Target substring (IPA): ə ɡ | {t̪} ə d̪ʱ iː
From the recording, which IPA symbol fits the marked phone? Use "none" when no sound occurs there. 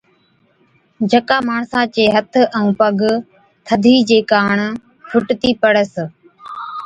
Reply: t̪ʰ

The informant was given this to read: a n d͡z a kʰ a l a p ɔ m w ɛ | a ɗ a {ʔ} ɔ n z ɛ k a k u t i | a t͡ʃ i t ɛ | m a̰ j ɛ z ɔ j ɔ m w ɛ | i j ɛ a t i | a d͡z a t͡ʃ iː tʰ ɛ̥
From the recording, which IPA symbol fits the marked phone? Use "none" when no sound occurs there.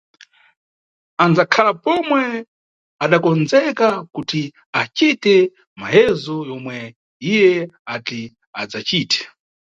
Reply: k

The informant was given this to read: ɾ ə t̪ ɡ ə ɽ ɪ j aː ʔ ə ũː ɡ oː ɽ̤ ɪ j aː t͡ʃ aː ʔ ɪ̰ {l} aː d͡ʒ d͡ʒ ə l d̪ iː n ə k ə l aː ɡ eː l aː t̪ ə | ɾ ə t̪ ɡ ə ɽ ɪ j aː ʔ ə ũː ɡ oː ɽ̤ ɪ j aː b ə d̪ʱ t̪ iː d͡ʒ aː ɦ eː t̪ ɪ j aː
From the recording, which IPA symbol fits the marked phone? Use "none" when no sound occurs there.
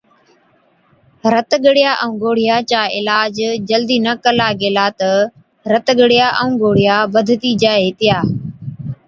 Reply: l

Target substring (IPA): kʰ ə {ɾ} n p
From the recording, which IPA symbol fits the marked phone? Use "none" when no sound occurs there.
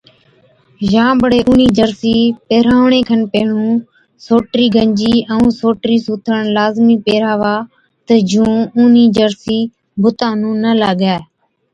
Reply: none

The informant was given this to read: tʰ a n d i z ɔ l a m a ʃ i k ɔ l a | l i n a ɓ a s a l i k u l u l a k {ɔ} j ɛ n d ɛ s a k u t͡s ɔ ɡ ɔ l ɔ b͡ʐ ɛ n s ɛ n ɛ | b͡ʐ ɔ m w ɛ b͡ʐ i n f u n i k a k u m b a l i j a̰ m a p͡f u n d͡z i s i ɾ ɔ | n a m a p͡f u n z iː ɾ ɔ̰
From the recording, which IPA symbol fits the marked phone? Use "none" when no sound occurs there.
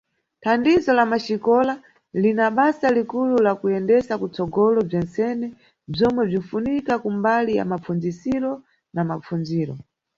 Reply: u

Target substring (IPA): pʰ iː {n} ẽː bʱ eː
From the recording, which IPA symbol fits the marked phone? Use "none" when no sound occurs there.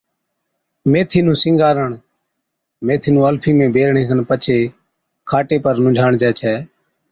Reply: m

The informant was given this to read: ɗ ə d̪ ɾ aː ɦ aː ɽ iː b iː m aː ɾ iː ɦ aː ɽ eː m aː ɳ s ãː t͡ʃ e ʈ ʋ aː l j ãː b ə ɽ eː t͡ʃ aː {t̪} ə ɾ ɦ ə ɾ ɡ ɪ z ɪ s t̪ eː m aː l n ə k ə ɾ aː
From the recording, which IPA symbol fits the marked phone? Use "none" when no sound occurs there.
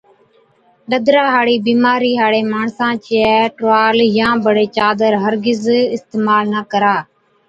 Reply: d̪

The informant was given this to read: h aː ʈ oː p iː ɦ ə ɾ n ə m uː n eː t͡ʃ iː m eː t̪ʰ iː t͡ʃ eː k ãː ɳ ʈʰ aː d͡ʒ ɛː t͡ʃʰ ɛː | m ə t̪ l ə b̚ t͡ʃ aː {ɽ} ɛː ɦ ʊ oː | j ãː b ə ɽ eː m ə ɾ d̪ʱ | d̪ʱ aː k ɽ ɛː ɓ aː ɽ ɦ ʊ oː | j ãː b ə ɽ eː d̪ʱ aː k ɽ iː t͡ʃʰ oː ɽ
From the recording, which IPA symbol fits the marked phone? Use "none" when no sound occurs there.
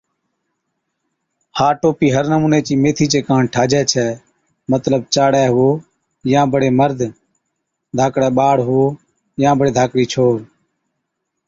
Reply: ɽ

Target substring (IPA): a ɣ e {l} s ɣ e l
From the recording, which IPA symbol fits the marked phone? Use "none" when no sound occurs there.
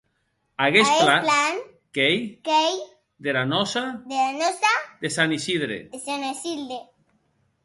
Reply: none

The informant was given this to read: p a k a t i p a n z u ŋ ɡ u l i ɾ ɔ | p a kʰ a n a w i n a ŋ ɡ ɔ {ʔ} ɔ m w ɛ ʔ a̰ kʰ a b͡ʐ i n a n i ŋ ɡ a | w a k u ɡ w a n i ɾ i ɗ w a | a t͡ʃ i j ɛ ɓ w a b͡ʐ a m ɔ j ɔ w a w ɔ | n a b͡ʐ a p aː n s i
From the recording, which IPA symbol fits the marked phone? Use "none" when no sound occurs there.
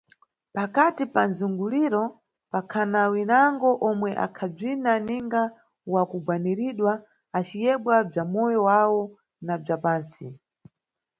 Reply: ʔ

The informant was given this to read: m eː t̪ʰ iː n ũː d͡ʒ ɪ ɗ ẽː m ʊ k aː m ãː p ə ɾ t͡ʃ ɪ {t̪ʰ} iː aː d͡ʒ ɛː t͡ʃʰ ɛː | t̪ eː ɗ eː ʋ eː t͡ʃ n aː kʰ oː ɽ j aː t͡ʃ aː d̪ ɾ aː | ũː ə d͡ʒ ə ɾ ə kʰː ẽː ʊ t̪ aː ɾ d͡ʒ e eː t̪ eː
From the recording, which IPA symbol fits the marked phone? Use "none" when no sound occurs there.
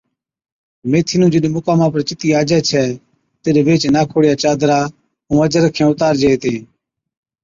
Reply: t̪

